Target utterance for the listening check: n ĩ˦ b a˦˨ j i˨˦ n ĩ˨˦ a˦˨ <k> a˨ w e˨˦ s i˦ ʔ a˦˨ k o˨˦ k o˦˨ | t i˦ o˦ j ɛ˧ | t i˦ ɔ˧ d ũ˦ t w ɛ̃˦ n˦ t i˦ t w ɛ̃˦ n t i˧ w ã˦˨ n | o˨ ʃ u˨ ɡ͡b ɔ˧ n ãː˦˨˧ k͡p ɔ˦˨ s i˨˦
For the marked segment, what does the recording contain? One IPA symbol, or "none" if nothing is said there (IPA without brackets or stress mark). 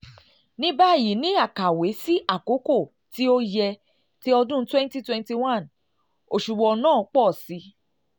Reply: k